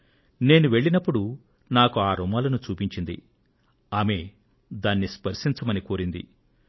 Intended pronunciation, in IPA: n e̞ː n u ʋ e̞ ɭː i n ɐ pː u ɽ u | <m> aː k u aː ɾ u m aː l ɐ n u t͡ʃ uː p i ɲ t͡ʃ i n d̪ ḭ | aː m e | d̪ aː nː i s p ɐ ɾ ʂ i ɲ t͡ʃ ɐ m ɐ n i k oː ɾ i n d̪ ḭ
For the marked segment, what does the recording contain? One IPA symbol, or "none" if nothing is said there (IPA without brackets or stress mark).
n